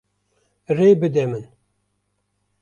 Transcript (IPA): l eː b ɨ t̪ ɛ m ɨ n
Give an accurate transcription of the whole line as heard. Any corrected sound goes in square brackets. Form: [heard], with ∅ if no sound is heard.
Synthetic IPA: [r] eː b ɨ [d̪] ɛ m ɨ n